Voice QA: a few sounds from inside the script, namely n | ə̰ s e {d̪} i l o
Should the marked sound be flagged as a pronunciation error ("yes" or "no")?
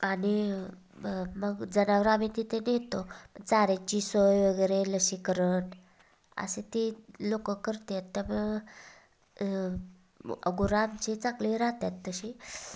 yes